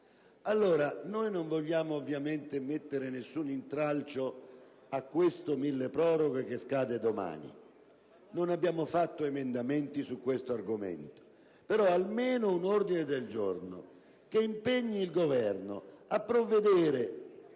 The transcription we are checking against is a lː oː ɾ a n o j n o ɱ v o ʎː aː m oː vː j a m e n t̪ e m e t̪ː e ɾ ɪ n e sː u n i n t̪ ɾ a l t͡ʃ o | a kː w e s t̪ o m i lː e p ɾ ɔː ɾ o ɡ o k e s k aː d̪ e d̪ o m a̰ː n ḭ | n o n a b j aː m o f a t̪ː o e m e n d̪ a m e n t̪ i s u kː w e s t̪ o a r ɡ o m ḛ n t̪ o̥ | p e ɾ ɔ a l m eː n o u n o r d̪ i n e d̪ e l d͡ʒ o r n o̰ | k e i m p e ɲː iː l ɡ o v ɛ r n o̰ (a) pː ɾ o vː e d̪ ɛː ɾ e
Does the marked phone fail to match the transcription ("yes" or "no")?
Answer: no